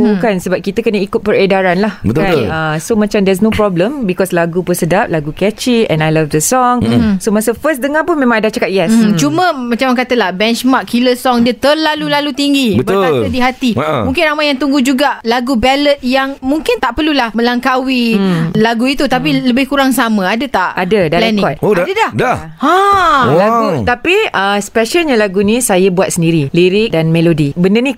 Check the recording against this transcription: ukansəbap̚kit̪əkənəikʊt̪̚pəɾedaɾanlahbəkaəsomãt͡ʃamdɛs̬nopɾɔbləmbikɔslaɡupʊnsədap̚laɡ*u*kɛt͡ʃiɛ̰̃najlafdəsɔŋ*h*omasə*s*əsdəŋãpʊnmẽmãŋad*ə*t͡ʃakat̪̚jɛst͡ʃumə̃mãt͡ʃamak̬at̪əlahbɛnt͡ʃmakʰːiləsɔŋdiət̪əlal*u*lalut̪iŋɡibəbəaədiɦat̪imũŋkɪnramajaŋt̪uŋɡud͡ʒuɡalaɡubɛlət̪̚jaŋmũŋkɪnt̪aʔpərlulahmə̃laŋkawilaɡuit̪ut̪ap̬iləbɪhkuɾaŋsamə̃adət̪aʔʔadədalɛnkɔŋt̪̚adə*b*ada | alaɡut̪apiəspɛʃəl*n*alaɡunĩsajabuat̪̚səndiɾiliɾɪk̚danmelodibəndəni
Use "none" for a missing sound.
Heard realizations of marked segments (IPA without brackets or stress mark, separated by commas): u, s, f, a, u, d, ɲ